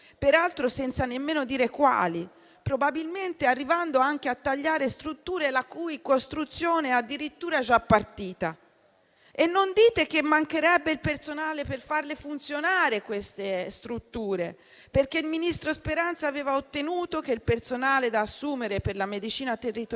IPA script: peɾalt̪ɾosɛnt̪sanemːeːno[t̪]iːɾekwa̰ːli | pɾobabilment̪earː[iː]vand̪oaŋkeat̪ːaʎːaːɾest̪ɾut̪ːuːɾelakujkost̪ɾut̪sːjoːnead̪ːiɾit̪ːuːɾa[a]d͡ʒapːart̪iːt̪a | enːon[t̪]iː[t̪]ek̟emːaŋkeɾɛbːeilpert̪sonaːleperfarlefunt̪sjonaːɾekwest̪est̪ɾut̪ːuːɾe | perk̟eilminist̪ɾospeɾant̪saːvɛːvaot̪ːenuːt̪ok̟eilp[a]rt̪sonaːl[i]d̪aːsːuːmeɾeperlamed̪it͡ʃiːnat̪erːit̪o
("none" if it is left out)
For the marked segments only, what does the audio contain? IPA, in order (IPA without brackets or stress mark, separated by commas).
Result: d̪, i, ɛ, d̪, t̪, e, e